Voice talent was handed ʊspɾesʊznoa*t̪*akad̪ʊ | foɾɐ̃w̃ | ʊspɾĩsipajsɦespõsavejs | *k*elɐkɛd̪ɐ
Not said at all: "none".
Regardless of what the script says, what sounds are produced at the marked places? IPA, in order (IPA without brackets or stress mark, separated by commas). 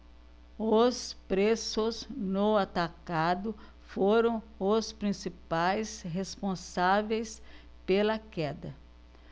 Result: t̪, p